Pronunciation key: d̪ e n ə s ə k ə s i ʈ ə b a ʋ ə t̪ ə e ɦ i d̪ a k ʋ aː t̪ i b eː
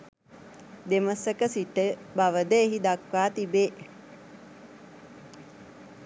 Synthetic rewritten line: d̪ e m ə s ə k ə s i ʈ ə b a ʋ ə d̪ ə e ɦ i d̪ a k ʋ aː t̪ i b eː